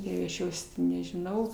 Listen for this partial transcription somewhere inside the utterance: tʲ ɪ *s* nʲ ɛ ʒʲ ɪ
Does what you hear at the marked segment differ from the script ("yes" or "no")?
yes